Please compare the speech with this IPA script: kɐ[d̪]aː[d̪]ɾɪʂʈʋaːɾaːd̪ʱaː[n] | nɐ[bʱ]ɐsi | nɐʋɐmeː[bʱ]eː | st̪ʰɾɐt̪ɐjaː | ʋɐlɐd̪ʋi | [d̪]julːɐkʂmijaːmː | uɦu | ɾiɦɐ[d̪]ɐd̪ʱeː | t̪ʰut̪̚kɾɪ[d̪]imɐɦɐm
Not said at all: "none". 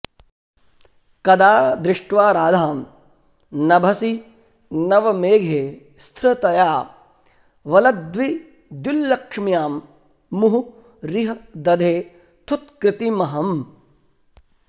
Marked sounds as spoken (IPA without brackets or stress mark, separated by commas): d̪, d̪, m, bʱ, ɡʱ, d̪, d̪, t̪